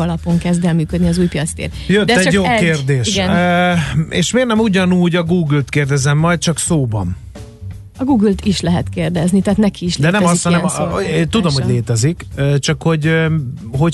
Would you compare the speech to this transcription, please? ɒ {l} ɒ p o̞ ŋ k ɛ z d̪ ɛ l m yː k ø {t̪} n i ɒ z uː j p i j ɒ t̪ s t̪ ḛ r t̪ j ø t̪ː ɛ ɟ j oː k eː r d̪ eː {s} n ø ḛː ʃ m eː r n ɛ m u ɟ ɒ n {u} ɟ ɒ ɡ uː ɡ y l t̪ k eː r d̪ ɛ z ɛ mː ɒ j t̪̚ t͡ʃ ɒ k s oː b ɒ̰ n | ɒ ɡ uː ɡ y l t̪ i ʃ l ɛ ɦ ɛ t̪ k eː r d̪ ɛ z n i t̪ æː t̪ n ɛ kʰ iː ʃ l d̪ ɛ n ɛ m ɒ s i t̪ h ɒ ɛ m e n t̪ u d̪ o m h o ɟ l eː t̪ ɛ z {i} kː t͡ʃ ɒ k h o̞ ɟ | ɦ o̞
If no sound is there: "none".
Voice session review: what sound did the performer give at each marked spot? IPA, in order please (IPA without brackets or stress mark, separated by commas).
l, d̪, ʃ, uː, i